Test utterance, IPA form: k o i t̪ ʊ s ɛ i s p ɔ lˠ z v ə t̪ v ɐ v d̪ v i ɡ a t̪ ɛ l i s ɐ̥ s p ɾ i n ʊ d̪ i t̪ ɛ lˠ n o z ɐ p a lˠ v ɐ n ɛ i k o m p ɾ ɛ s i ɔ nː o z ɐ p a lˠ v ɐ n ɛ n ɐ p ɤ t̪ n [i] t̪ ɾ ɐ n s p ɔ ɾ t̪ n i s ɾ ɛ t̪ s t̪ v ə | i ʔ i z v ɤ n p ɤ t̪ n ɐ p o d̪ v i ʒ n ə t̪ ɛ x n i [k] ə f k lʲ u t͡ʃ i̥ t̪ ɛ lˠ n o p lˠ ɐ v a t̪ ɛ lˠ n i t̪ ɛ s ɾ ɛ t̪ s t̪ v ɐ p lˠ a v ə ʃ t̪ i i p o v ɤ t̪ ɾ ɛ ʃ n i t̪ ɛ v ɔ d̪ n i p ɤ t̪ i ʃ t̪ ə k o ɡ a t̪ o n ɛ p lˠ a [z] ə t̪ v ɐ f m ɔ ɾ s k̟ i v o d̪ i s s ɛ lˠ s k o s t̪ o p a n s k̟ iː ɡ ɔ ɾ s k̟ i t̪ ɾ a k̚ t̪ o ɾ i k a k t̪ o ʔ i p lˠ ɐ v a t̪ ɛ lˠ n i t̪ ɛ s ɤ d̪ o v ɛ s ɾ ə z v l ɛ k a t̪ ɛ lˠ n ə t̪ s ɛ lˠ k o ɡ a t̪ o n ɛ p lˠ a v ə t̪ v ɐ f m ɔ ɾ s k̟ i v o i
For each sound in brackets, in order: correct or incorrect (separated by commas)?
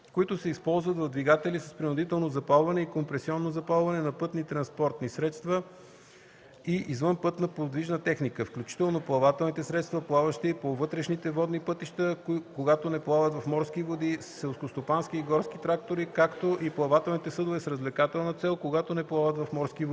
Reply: correct, correct, incorrect